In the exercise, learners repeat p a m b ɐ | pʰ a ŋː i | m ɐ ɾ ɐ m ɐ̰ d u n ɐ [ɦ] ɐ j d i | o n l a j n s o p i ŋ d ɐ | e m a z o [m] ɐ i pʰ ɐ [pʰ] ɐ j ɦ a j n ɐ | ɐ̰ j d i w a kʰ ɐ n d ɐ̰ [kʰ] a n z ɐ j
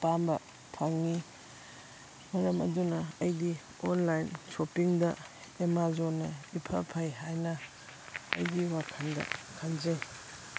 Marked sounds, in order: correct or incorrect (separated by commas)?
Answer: incorrect, incorrect, correct, correct